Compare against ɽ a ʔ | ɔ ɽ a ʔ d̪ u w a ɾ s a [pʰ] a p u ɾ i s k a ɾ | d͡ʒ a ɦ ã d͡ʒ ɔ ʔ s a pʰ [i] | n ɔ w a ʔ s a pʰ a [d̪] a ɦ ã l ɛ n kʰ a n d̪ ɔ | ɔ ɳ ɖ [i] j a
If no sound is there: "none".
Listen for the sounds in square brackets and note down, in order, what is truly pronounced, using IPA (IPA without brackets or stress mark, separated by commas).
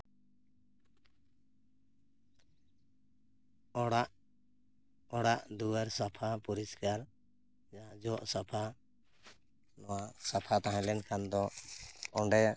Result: pʰ, a, t̪, ɛ